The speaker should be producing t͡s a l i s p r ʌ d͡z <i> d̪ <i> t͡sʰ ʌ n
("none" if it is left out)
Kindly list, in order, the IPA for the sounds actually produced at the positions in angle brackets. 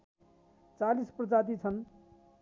a, i

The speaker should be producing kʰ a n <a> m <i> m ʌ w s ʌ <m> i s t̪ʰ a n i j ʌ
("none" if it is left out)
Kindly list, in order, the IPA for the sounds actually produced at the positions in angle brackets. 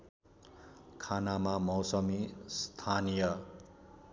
a, a, m

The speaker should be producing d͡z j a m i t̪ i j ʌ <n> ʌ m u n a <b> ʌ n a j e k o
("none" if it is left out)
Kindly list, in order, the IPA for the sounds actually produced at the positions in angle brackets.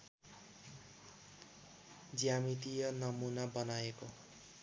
n, b

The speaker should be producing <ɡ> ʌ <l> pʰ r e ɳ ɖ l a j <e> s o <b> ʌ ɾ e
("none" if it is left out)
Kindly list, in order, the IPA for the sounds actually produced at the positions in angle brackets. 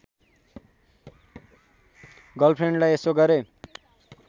ɡ, l, e, ɡ

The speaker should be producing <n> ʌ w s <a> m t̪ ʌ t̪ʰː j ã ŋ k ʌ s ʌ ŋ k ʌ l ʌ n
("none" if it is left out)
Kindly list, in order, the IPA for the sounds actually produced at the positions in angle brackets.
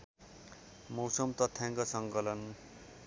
m, ʌ

